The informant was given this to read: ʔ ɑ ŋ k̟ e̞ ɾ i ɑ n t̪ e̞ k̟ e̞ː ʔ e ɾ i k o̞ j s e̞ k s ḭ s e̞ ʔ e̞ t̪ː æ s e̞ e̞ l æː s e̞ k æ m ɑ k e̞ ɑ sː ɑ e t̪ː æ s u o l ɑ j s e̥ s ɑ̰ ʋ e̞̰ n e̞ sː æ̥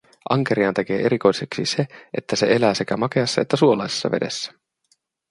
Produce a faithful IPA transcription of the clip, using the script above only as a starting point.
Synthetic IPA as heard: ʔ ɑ ŋ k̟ e̞ ɾ i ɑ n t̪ e̞ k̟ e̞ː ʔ e ɾ i k o̞ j s e̞ k s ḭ s e̞ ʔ e̞ t̪ː æ s e̞ e̞ l æː s e̞ k æ m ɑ k e̞ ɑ sː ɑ e t̪ː æ s u o l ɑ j s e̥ sː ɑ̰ ʋ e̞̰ d e̞ sː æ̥